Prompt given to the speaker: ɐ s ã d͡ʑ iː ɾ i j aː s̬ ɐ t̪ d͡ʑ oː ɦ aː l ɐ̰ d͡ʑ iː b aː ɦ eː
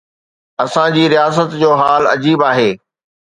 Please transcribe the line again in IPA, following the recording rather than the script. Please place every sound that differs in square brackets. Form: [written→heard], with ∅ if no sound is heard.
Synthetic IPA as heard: ɐ s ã d͡ʑ iː ɾ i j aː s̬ [ɐ→ə] t̪ d͡ʑ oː ɦ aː l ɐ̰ d͡ʑ iː b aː ɦ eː